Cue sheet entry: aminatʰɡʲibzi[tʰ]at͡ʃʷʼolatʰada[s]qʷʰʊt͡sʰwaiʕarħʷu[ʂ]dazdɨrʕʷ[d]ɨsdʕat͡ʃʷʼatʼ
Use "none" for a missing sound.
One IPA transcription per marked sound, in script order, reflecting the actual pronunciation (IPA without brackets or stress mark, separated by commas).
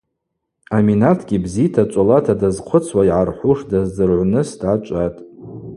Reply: tʰ, z, ʂ, n